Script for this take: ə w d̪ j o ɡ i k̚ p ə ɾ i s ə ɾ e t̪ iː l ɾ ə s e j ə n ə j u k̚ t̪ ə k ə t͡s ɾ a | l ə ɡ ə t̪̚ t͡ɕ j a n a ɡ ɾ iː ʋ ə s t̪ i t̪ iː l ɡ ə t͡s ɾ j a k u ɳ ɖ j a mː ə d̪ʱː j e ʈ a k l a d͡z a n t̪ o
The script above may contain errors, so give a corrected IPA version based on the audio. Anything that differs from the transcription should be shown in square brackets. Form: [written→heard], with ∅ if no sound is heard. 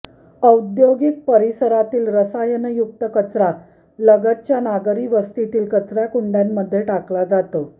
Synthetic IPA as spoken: ə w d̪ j o ɡ i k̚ p ə ɾ i s ə ɾ [e→a] t̪ iː l ɾ ə s [e→a] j ə n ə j u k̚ t̪ ə k ə t͡s ɾ a | l ə ɡ ə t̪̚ t͡ɕ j a n a ɡ ɾ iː ʋ ə s t̪ i t̪ iː l [ɡ→k] ə t͡s ɾ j a k u ɳ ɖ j a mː ə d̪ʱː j e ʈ a k l a d͡z a [n→∅] t̪ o